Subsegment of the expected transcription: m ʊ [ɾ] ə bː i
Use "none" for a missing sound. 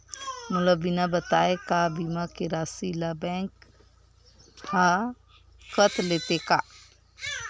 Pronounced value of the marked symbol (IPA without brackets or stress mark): l